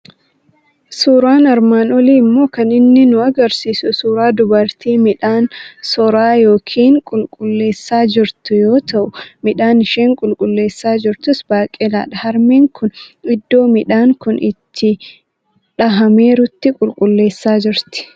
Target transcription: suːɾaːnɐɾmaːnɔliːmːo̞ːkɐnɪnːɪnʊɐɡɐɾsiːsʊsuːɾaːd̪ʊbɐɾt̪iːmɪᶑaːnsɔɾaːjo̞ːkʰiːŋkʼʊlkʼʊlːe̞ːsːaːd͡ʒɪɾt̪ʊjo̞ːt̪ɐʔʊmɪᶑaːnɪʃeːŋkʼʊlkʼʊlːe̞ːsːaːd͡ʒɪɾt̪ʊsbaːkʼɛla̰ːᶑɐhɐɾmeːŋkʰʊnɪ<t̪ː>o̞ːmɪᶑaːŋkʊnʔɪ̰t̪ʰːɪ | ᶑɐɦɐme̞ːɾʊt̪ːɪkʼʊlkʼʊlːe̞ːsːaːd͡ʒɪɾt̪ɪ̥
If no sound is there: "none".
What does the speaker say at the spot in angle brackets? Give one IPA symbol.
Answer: d̪ː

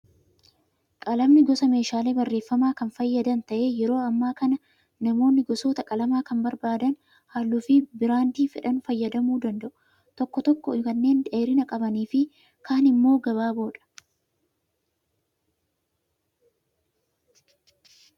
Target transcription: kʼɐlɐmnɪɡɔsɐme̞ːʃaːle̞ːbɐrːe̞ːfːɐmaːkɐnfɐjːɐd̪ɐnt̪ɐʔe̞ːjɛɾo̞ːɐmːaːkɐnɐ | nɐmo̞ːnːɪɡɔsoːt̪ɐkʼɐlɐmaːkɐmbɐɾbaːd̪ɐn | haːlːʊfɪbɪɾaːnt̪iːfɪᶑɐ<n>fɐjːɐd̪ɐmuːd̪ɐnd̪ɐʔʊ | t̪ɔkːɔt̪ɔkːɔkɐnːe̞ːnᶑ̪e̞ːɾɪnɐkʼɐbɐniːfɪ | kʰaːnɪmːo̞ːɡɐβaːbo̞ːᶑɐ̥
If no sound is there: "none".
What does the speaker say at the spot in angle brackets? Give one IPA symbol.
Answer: n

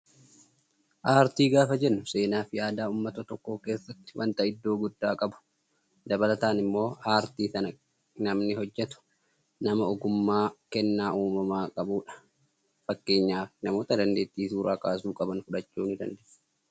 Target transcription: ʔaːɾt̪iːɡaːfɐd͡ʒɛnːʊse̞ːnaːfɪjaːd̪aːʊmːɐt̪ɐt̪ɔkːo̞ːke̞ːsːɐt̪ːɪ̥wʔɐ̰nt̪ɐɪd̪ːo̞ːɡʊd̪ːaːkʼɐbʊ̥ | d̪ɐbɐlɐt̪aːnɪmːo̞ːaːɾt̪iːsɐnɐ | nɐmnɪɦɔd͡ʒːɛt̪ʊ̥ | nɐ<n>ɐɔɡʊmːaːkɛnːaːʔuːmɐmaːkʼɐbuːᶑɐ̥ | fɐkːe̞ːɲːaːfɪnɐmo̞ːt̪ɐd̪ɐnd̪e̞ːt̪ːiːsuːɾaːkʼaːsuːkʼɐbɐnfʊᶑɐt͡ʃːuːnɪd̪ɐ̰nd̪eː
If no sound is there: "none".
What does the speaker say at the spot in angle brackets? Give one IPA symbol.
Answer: m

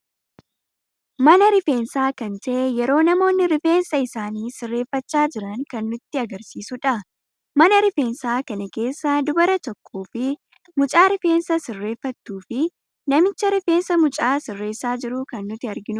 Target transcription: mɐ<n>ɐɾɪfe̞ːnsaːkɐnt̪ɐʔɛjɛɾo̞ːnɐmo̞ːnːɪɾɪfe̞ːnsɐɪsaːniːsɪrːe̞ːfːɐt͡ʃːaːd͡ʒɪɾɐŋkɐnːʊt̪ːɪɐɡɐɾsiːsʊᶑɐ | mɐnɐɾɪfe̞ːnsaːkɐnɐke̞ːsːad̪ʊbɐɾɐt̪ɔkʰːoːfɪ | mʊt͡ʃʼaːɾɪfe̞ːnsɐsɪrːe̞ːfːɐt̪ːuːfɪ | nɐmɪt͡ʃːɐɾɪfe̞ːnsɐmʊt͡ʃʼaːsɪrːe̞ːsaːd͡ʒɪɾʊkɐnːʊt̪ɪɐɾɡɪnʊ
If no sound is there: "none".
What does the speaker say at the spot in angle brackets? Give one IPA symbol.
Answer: n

